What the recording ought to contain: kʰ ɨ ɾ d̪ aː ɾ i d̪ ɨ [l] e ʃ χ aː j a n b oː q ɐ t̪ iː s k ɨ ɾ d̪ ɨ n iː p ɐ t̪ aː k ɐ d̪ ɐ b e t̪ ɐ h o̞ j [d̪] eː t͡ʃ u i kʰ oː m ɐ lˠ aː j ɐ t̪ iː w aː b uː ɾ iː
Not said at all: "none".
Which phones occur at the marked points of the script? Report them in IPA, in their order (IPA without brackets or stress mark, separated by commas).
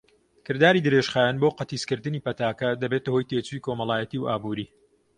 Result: ɾ, t̪